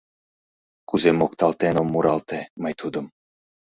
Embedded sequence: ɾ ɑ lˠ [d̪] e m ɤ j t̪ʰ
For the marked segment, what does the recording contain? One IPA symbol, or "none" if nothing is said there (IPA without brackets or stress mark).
t̪